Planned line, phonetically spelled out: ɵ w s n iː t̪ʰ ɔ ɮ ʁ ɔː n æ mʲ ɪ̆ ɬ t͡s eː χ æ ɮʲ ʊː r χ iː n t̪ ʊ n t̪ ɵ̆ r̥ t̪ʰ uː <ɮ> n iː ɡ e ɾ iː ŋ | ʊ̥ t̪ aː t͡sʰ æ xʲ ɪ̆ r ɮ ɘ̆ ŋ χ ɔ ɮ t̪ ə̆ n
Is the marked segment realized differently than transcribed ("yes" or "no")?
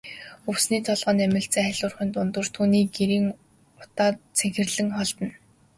yes